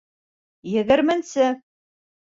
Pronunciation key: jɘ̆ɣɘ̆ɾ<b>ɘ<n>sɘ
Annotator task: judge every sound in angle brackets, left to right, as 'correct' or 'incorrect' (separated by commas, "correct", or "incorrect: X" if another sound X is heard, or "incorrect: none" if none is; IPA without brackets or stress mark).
incorrect: m, correct